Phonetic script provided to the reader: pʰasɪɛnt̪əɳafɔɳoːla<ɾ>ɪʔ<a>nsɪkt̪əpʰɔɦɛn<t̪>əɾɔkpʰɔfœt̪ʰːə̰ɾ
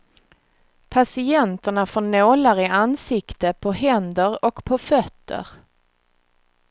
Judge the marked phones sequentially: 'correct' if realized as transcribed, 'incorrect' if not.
correct, correct, incorrect

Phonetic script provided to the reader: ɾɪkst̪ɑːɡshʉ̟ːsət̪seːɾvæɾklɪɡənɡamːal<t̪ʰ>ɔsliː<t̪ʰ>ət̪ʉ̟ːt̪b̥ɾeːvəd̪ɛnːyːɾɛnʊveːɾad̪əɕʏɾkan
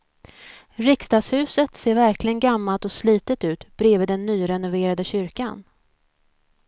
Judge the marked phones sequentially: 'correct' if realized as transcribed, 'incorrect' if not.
incorrect, incorrect

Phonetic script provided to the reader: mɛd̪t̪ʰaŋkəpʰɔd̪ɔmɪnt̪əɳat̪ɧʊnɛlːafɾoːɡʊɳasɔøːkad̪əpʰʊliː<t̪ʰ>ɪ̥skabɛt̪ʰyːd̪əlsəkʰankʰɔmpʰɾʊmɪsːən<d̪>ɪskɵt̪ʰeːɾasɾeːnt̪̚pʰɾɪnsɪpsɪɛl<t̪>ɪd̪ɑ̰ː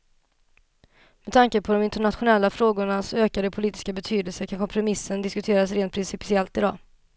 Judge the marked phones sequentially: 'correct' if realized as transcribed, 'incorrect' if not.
incorrect, correct, correct

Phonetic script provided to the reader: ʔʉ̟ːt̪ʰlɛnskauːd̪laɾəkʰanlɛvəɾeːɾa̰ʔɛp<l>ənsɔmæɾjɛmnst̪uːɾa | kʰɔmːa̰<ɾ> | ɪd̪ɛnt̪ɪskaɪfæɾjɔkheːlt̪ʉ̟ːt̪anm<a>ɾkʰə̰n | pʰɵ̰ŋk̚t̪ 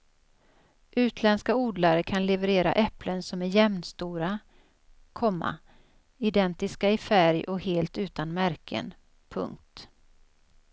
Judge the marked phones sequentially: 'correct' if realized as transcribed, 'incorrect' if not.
correct, incorrect, incorrect

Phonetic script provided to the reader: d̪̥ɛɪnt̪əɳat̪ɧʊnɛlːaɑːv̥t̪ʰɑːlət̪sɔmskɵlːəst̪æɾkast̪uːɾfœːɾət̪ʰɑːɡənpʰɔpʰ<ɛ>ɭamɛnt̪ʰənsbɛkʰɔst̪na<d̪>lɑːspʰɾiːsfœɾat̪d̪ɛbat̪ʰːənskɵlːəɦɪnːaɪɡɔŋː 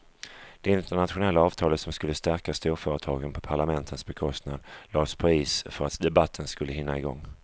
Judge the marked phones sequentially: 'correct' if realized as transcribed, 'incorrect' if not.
incorrect, correct

